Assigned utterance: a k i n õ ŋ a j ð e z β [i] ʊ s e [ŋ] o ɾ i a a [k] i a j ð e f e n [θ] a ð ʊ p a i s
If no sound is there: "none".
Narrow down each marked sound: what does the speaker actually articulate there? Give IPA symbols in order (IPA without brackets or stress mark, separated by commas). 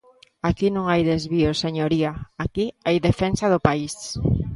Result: i, ɲ, k, s